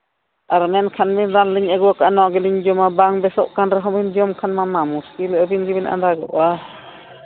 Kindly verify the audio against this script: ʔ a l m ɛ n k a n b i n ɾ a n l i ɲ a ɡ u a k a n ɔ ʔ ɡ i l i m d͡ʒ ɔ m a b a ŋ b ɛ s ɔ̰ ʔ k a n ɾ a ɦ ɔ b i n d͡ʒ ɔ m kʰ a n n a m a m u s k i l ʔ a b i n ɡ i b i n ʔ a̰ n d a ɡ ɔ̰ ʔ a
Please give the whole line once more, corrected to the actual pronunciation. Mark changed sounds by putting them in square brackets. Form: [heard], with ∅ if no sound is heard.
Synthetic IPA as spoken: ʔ a [ɾ] m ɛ n [kʰ] a n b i n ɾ a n l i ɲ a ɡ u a k a n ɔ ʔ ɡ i l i [ɲ] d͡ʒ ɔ m a b a ŋ b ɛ s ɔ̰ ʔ k a n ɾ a ɦ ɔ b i n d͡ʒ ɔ m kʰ a n [m] a m a m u s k i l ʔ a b i n ɡ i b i n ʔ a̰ n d a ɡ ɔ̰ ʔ a